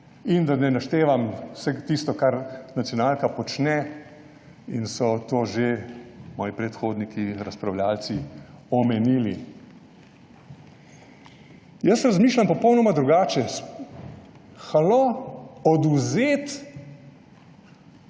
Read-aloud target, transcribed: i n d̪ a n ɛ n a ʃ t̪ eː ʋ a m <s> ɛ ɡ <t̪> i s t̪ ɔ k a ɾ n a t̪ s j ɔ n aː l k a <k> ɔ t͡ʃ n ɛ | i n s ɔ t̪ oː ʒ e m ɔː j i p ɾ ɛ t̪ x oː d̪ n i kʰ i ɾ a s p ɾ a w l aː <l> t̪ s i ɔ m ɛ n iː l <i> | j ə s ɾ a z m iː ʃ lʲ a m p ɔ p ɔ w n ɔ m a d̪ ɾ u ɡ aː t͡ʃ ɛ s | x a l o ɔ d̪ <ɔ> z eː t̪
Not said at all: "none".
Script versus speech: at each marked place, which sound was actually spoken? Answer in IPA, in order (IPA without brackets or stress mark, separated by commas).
s, t̪, p, l, i, u